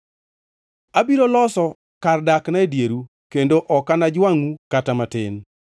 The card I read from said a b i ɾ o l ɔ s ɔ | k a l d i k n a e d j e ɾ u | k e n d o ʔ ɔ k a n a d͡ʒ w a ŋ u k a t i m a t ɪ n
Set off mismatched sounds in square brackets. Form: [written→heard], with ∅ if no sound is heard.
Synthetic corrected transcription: a b i ɾ o l ɔ s ɔ | k a [l→r] d [i→a] k n a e d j e ɾ u | k e n d o ʔ ɔ k a n a d͡ʒ w a ŋ u k a t [i→a] m a t ɪ n